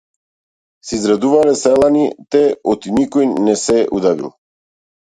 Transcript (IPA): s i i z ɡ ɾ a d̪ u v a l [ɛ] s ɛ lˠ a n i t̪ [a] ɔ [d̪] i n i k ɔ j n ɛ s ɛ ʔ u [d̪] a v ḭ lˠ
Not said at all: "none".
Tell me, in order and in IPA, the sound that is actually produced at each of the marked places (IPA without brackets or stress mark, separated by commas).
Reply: ɛ, ɛ, t̪, d̪